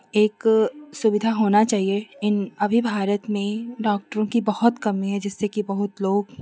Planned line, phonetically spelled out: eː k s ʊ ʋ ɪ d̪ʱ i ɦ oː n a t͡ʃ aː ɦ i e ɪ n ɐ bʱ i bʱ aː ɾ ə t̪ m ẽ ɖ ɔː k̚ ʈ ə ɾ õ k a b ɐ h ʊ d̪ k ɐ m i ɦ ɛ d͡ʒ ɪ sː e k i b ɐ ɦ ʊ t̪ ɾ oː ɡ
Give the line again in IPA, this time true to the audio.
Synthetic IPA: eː k s ʊ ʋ ɪ d̪ʱ a ɦ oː n a t͡ʃ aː ɦ i e ɪ n ɐ bʱ i bʱ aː ɾ ə t̪ m ẽ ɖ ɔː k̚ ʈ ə ɾ õ k i b ɐ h ʊ t̪ k ɐ m i ɦ ɛ d͡ʒ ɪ sː e k i b ɐ ɦ ʊ t̪ l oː ɡ